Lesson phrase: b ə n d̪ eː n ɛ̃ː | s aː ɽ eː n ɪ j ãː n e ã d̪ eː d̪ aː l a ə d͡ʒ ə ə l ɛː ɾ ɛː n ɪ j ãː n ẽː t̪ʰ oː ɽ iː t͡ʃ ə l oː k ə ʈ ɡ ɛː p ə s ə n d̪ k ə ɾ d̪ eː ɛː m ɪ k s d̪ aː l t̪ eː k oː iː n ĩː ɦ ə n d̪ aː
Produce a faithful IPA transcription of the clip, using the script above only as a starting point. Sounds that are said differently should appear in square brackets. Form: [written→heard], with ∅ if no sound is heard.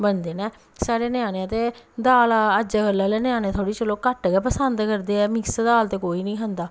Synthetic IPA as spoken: b ə n d̪ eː n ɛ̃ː | s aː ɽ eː n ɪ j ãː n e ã [d̪→t̪] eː d̪ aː l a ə d͡ʒ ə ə l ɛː [ɾ→l] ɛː n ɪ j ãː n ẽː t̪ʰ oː ɽ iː t͡ʃ ə l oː k ə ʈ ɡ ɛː p ə s ə n d̪ k ə ɾ d̪ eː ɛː m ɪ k s d̪ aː l t̪ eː k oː iː n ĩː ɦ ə n d̪ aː